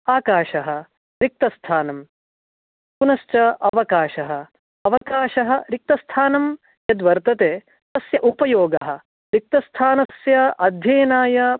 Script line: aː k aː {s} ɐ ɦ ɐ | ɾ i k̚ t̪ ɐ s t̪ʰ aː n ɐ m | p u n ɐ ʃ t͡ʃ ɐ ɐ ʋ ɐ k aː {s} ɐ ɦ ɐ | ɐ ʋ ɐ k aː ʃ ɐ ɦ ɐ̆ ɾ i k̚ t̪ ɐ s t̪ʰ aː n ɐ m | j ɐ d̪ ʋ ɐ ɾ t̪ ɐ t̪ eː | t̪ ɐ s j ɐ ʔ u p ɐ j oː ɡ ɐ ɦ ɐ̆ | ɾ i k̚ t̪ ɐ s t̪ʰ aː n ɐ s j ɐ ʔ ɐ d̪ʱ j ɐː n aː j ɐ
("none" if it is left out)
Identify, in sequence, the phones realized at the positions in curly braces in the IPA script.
ʃ, ʃ

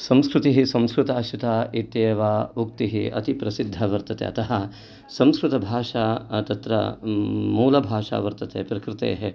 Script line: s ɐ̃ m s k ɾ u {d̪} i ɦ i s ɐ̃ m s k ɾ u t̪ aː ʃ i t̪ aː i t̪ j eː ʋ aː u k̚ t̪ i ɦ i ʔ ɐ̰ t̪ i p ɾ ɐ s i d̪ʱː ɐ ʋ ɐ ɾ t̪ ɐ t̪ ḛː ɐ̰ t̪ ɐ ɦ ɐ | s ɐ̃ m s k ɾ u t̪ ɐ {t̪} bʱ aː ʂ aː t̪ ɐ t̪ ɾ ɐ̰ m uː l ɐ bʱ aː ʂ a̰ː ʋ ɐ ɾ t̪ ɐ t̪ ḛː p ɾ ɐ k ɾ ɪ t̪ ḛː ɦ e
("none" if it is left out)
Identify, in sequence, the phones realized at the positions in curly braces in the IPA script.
t̪, none

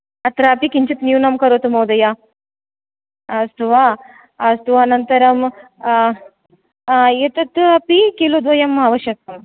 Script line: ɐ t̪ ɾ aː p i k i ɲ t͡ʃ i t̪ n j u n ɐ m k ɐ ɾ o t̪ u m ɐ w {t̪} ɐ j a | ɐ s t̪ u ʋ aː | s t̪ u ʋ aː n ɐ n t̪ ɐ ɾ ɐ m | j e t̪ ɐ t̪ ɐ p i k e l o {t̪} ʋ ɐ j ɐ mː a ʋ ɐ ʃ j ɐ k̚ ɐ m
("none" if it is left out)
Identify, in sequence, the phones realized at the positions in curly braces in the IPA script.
d̪, d̪

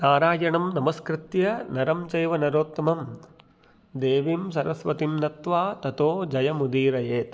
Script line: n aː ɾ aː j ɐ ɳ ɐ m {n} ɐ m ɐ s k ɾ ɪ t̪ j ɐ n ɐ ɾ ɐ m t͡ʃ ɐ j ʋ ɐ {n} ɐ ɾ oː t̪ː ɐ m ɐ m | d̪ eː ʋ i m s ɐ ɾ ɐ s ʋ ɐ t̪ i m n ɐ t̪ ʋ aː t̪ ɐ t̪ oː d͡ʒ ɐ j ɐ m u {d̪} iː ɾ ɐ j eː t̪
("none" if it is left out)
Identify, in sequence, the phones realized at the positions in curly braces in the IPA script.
n, n, d̪

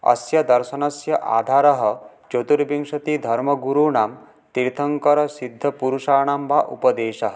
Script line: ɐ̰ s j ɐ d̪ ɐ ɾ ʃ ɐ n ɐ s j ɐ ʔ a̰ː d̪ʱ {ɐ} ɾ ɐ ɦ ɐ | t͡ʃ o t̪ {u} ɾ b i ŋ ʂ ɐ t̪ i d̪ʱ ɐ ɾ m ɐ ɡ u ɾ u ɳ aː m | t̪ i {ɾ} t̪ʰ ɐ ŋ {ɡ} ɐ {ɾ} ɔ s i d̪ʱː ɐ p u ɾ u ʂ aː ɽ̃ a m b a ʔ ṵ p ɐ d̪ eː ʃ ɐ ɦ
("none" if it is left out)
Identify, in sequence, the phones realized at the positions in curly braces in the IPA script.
a, u, ɾ, k, ɾ

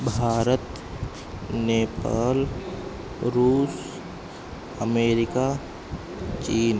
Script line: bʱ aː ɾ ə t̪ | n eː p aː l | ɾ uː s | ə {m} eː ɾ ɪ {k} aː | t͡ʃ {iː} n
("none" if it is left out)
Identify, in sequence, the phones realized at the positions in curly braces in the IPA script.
m, k, iː

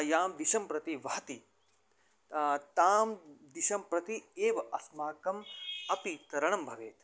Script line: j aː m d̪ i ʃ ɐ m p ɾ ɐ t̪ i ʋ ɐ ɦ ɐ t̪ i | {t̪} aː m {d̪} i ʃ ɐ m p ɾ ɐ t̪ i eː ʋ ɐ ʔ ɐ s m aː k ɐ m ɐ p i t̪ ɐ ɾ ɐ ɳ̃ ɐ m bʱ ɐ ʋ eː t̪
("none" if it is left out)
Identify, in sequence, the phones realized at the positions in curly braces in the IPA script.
t̪, d̪

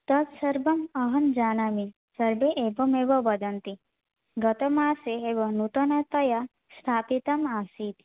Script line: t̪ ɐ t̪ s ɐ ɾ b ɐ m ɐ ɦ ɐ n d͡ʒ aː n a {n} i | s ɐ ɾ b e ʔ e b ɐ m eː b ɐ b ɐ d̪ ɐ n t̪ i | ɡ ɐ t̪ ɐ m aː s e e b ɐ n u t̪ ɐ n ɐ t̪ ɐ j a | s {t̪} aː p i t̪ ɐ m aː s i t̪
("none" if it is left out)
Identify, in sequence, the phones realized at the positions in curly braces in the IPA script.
m, t̪ʰ

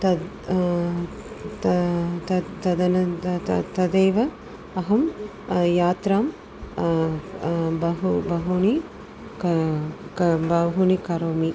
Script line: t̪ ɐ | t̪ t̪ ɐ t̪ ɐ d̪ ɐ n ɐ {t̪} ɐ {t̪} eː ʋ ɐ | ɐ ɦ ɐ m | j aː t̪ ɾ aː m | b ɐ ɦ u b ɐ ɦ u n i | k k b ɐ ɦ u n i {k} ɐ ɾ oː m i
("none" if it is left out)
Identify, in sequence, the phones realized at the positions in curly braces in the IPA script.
t̪, d̪, k

